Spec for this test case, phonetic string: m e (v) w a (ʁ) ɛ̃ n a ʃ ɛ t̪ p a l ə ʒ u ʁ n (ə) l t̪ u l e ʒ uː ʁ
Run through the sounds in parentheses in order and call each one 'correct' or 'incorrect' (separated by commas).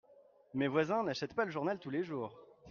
correct, incorrect, incorrect